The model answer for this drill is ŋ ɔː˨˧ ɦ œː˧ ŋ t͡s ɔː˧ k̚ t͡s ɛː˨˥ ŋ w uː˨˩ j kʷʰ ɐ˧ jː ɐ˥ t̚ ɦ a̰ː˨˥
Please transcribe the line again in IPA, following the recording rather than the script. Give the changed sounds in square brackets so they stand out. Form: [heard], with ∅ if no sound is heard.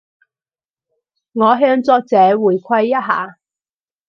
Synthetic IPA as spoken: ŋ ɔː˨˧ ɦ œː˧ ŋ t͡s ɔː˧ k̚ t͡s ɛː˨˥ [∅] w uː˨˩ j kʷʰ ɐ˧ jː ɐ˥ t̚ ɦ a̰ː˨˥